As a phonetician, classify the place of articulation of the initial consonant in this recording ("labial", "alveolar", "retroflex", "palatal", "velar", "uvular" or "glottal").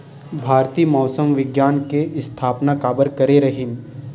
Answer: labial